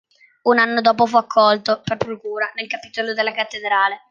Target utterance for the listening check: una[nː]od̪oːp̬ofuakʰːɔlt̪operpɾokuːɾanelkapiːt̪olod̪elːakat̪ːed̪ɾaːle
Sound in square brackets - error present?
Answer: no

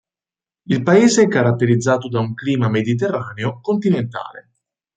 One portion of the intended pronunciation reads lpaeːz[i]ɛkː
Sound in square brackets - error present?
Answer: yes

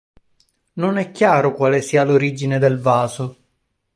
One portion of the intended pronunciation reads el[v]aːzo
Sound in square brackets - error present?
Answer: no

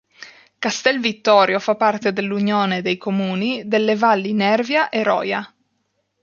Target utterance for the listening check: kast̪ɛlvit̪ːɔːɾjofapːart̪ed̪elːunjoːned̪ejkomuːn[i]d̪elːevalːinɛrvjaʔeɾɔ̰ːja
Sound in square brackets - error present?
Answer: no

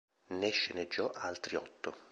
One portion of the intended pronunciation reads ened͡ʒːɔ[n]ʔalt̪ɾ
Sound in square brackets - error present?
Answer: yes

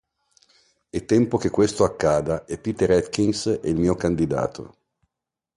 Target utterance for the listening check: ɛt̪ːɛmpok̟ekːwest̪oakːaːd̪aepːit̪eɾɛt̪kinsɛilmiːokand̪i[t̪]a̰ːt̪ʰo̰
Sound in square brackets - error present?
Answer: yes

